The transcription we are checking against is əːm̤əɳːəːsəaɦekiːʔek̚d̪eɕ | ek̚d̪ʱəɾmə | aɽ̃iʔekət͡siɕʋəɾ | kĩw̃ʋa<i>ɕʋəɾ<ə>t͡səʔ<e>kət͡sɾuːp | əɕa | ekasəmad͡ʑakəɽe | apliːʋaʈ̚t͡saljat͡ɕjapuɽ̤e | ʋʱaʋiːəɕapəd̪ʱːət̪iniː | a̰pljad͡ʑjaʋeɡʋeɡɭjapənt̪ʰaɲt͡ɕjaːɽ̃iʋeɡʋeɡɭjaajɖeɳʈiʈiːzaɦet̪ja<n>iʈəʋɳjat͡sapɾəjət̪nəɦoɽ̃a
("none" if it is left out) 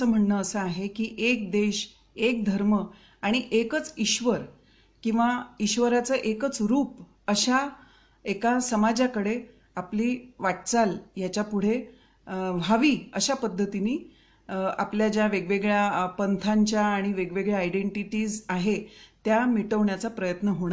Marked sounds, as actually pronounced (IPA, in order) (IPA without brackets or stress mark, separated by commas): i, a, e, m